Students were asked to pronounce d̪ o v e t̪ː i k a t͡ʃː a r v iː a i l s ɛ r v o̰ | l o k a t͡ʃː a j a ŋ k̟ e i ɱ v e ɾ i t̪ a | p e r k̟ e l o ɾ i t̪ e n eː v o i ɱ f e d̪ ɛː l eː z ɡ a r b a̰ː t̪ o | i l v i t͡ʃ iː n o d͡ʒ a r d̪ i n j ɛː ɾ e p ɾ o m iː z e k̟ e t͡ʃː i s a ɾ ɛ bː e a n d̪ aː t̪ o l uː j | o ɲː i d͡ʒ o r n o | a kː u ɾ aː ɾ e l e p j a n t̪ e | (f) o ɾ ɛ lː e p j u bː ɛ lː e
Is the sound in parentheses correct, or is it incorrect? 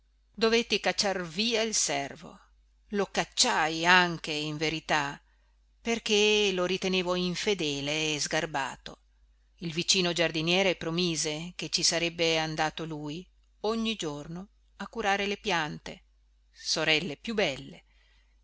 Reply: incorrect: s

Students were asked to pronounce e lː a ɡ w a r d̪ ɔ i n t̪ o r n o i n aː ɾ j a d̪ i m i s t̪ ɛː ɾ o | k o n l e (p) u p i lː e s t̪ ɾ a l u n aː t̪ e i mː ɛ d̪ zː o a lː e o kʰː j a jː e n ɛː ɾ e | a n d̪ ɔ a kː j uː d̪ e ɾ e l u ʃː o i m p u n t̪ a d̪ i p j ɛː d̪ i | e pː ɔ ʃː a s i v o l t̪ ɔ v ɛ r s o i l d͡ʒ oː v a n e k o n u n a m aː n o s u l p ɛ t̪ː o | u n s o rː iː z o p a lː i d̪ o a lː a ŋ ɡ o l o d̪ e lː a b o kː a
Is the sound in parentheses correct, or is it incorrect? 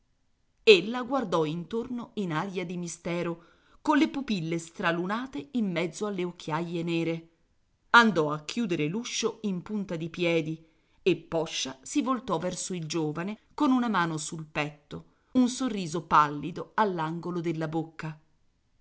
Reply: correct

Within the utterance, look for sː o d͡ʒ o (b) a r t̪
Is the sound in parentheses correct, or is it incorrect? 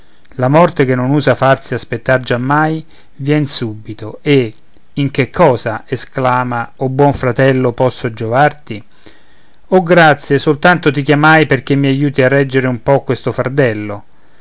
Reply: incorrect: v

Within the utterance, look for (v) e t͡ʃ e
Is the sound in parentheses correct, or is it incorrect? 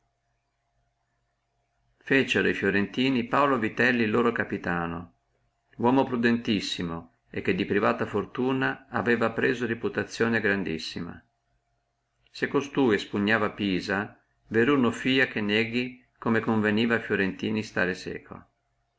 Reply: incorrect: f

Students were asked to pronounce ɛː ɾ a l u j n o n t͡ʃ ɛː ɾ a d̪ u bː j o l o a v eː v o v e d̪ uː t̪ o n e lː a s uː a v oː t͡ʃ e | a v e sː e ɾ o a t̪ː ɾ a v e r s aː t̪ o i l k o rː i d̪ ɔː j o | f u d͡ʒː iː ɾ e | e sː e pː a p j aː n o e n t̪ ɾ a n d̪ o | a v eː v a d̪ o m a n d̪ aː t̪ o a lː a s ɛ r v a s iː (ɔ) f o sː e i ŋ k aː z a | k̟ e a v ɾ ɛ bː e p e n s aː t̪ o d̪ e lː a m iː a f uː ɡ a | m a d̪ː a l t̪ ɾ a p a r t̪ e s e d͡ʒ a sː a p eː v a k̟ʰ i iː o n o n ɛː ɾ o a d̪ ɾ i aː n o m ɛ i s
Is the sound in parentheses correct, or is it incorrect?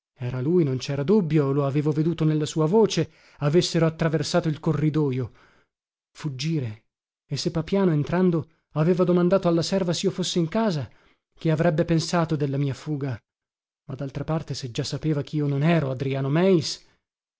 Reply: incorrect: o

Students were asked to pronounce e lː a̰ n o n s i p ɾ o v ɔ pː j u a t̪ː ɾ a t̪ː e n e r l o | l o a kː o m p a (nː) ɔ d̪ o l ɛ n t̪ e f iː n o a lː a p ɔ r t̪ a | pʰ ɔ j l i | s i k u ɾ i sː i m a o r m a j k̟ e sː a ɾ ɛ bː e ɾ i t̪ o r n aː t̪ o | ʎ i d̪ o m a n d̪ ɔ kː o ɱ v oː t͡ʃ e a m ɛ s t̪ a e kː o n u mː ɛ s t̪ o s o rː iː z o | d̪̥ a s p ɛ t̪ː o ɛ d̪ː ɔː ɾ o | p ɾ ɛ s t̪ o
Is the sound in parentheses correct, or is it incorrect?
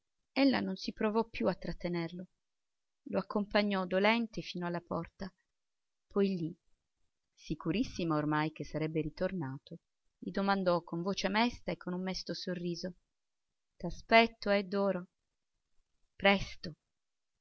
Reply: incorrect: ɲː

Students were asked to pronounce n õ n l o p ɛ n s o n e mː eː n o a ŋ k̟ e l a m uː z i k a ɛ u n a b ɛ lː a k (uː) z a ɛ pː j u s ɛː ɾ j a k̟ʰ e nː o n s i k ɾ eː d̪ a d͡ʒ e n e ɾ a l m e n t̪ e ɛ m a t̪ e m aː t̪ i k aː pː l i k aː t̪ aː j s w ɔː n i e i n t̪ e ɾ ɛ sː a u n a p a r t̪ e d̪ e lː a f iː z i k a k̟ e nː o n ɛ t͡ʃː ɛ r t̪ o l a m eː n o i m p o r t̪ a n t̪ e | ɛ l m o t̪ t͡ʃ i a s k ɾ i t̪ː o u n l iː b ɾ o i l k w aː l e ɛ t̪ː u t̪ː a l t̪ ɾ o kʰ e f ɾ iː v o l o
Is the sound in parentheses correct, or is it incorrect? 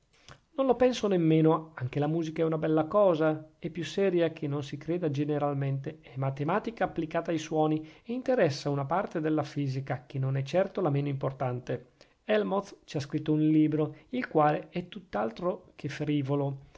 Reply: incorrect: ɔː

